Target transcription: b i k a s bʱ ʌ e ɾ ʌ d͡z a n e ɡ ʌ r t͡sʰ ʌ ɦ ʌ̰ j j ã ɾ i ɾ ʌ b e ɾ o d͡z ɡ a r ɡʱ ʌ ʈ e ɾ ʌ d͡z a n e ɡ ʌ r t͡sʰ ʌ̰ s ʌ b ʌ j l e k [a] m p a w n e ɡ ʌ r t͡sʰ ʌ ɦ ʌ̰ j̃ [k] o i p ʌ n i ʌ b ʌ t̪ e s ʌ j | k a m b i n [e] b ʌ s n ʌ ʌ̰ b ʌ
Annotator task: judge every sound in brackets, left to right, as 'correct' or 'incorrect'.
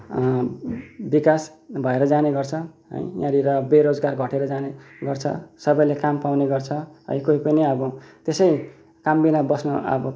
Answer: correct, correct, incorrect

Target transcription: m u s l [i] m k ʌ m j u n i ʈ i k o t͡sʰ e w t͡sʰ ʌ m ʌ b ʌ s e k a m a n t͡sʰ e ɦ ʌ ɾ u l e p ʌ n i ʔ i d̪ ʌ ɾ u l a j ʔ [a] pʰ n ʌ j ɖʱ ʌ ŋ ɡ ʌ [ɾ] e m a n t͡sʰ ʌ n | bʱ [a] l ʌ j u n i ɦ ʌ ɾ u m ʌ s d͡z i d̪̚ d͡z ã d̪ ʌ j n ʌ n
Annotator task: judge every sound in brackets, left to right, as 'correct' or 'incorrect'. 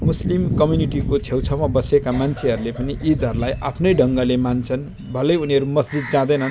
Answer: correct, correct, incorrect, incorrect

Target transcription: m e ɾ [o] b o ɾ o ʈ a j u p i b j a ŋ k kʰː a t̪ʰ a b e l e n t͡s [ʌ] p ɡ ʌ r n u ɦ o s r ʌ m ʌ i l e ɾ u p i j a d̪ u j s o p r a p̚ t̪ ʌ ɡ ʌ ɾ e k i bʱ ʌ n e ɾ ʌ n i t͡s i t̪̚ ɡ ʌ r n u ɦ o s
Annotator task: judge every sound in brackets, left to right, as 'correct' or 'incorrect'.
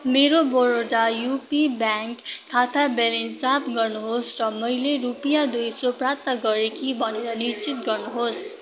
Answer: correct, incorrect

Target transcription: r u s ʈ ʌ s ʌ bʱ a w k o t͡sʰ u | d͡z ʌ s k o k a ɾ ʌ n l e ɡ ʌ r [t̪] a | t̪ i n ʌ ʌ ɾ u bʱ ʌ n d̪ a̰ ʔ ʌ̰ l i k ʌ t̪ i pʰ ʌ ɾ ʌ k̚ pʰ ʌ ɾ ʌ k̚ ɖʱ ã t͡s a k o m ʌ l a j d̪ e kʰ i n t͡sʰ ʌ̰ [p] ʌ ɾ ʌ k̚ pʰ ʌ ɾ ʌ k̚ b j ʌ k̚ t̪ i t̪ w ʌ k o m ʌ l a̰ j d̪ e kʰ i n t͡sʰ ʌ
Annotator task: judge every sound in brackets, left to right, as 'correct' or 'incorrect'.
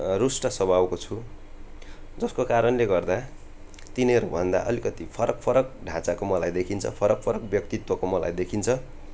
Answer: incorrect, incorrect

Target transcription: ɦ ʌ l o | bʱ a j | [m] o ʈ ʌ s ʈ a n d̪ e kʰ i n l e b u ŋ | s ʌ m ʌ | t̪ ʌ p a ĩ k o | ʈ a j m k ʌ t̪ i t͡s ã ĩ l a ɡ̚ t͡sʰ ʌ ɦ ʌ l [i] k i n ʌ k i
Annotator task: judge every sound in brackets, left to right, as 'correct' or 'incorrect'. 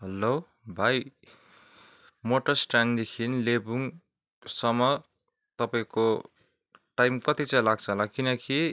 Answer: correct, incorrect

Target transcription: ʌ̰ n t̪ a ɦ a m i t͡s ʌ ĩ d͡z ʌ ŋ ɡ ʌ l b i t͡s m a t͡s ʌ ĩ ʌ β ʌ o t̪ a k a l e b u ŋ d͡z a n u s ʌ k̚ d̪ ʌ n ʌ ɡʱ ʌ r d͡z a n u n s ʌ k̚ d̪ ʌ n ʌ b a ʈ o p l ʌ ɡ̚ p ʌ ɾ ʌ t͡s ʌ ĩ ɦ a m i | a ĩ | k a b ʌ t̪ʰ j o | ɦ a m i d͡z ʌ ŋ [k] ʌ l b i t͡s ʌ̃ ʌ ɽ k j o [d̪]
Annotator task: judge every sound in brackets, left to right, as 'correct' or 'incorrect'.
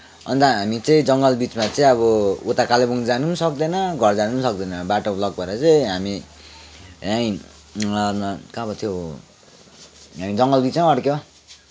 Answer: incorrect, incorrect

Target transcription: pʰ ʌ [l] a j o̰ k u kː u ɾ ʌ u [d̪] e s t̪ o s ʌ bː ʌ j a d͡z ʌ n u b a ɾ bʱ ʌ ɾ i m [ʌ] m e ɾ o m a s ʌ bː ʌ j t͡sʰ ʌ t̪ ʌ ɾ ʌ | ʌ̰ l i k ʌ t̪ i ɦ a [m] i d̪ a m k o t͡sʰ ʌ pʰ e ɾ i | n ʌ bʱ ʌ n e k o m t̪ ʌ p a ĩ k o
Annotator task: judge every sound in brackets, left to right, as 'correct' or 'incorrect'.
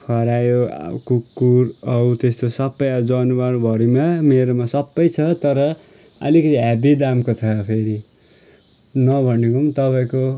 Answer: incorrect, incorrect, incorrect, incorrect

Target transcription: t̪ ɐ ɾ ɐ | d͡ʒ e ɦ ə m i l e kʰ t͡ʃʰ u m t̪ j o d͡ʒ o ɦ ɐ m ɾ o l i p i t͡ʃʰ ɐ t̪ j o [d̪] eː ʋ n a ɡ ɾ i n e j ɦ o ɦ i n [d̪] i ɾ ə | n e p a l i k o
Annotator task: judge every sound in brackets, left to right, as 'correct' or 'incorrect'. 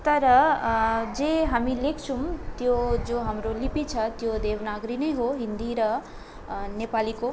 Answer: correct, correct

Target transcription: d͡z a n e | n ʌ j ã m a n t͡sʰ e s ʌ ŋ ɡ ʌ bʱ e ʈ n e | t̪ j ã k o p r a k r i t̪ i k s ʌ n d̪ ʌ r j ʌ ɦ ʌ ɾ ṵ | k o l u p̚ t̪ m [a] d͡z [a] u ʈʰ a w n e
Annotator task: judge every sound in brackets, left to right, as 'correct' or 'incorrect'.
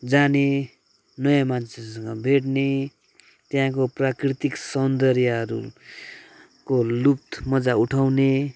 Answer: incorrect, correct

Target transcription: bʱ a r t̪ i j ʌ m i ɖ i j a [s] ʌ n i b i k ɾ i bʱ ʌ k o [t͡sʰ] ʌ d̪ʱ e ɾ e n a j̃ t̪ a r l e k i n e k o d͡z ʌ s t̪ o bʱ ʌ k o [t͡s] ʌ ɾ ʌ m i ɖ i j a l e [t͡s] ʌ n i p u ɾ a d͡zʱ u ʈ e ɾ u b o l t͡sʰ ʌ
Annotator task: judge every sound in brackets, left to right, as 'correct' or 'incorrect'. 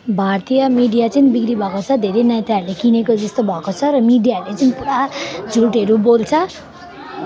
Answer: incorrect, correct, incorrect, correct

